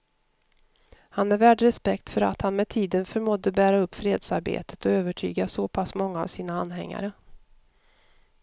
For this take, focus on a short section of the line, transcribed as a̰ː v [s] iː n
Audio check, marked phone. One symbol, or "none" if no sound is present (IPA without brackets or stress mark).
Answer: s